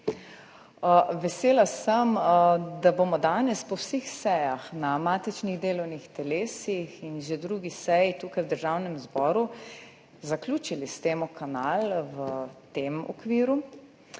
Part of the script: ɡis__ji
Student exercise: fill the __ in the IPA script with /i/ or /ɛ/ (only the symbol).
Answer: ɛ